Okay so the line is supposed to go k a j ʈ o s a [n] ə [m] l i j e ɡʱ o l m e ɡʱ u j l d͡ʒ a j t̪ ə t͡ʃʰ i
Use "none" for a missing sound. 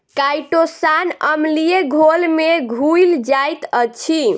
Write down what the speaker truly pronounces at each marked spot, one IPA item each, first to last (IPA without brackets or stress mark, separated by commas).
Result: n, m